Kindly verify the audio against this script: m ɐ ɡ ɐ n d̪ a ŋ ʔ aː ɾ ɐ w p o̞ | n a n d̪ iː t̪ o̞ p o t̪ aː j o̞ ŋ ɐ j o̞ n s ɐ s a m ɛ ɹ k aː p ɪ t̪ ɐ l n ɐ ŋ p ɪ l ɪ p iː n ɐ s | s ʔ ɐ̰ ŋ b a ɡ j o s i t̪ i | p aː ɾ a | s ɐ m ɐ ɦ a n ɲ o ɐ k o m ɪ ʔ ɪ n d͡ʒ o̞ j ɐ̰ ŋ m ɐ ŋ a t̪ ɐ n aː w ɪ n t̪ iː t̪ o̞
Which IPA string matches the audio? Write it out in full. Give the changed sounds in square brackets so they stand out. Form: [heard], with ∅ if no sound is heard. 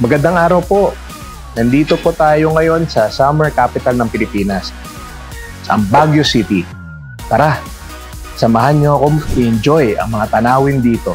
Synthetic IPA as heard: m ɐ ɡ ɐ n d̪ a ŋ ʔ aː ɾ ɐ w p o̞ | n [ɐ] n d̪ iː t̪ o̞ p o t̪ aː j o̞ ŋ ɐ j o̞ n s ɐ s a m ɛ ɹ k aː p ɪ t̪ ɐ l n ɐ ŋ p ɪ l ɪ p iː n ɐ s | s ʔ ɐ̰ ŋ b a ɡ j o s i t̪ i | p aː ɾ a | s ɐ m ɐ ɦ a n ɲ o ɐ k o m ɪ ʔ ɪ n d͡ʒ o̞ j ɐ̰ ŋ m ɐ ŋ a t̪ ɐ n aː w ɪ n [d̪] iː t̪ o̞